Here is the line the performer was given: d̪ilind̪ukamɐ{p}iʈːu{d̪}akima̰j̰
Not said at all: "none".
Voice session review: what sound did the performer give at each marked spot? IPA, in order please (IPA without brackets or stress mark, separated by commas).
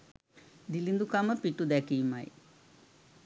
p, d̪